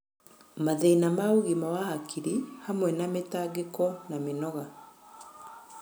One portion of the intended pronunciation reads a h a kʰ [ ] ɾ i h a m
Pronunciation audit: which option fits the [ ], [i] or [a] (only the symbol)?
i